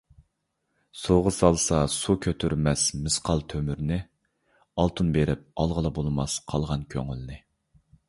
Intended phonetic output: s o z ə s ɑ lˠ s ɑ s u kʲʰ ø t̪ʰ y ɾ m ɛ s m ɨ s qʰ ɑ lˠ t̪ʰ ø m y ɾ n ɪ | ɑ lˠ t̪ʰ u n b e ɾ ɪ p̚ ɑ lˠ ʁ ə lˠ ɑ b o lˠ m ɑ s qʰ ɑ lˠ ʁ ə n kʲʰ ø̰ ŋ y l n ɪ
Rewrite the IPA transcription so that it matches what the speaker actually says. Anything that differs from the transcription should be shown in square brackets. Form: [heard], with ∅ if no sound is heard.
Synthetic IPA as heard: s o [ʁ] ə s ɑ lˠ s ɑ s u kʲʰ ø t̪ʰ y ɾ m ɛ s m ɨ s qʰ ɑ lˠ t̪ʰ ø m y ɾ n ɪ | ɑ lˠ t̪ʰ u n b e ɾ ɪ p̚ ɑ lˠ ʁ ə lˠ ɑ b o lˠ m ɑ s qʰ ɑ lˠ ʁ [ɑ] n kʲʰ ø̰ ŋ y l n ɪ